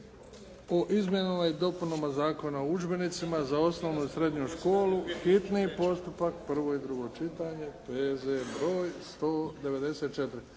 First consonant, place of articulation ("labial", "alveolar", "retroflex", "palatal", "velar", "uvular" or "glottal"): glottal